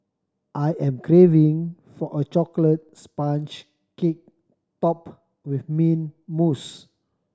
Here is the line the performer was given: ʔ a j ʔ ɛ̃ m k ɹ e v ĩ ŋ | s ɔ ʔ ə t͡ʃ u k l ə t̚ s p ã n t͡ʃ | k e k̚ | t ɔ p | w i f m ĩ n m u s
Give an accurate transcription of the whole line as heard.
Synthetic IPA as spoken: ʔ a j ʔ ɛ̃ m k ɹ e v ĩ ŋ | f ɔ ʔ ə t͡ʃ ɔ k l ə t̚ s p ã n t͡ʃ | k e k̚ | t ɔ p | w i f m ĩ n m u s